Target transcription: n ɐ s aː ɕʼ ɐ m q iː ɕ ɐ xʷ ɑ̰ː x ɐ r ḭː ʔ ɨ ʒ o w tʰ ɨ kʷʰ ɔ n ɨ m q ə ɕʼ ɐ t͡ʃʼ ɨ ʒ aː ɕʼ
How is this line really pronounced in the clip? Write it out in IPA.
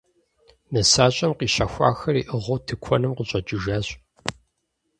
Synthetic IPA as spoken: n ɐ s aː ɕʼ ɐ m q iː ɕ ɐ xʷ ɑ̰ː x ɐ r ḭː ʔ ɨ ʁ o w tʰ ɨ kʷʰ ɔ n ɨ m q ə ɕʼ ɐ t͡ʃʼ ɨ ʒ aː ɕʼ